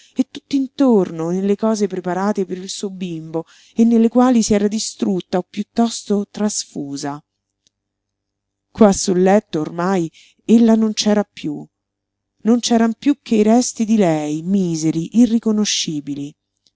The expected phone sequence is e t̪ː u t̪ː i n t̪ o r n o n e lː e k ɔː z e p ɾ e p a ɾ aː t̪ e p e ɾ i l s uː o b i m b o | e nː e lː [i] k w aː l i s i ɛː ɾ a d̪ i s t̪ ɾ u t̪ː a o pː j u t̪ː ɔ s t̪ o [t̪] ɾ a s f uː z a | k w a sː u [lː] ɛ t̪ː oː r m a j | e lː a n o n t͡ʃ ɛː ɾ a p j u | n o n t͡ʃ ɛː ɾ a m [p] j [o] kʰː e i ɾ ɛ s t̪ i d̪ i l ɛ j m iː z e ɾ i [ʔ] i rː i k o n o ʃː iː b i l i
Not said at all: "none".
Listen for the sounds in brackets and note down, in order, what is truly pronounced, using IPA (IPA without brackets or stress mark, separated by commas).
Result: e, t̪, lː, p, u, ʔ